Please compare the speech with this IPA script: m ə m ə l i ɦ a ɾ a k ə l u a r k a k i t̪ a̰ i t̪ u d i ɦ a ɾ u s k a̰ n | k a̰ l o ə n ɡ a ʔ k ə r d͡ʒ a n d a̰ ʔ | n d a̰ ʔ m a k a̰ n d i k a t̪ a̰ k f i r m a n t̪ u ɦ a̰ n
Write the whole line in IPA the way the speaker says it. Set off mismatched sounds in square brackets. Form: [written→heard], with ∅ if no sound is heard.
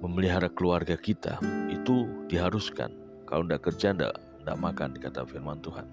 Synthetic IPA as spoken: m ə m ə l i ɦ a ɾ a k ə l u a r [k→ɡ] a k i t̪ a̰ i t̪ u d i ɦ a ɾ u s k a̰ n | k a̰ l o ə n [ɡ→d] a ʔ k ə r d͡ʒ a n d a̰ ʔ | n d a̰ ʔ m a k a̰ n d i k a t̪ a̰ [k→∅] f i r m a n t̪ u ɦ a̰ n